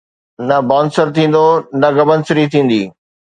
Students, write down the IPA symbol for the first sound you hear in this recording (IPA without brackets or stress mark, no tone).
n